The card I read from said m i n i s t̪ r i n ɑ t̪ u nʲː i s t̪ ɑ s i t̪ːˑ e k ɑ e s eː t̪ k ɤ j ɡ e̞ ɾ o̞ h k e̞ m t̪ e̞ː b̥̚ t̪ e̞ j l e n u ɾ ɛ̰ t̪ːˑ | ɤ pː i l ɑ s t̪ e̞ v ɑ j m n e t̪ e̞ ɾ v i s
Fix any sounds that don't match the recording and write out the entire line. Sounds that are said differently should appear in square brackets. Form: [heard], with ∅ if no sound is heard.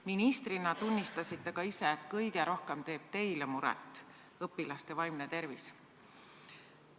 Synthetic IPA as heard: m i n i s t̪ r i n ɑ t̪ u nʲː i s t̪ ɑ s i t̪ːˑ e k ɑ [i] s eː t̪ k ɤ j ɡ e̞ ɾ o̞ h k e̞ m t̪ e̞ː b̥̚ t̪ e̞ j l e [m] u ɾ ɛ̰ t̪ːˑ | ɤ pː i l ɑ s t̪ e̞ v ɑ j m n e t̪ e̞ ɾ v i s